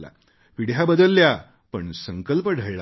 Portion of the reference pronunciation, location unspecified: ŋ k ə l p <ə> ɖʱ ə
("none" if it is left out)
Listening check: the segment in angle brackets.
ə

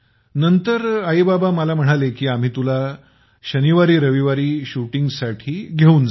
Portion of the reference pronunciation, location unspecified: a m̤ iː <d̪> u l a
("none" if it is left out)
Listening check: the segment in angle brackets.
t̪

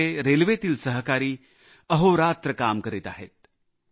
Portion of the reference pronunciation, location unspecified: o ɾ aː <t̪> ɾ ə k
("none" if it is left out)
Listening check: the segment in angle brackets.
t̪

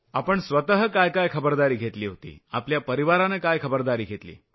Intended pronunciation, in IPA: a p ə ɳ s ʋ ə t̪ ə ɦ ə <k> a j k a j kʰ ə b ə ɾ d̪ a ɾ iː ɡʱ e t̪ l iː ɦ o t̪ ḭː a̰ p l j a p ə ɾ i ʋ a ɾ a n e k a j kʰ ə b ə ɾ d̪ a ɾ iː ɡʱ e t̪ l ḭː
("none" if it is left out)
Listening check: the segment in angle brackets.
k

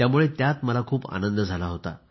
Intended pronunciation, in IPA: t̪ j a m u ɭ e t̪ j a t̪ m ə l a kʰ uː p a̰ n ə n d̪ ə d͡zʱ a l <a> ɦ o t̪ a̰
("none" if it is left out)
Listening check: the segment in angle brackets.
a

